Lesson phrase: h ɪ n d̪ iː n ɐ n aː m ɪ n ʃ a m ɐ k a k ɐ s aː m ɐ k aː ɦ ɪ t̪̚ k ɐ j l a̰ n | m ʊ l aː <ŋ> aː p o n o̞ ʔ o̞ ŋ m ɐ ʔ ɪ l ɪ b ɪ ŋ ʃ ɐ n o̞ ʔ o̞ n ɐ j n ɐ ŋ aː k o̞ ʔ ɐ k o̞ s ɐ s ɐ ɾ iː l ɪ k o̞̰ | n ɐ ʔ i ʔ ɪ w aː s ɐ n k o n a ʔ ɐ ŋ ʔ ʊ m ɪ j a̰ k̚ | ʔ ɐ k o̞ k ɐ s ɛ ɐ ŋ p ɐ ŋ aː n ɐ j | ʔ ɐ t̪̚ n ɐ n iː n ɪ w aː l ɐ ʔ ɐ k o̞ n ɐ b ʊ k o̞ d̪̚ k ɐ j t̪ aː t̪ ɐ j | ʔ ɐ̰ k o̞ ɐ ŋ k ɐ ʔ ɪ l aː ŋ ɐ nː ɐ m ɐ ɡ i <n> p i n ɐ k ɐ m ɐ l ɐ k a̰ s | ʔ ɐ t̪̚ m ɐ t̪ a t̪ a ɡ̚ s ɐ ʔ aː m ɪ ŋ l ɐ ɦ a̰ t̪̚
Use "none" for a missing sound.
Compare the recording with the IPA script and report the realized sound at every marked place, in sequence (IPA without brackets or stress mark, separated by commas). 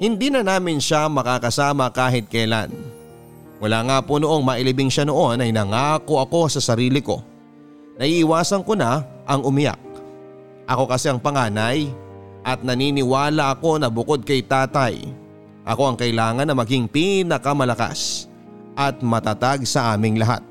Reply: ŋ, ŋ